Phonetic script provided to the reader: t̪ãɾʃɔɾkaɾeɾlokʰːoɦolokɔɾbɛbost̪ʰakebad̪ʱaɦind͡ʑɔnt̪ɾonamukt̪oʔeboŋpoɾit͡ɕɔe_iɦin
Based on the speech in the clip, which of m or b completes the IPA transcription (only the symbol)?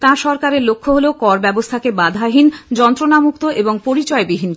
b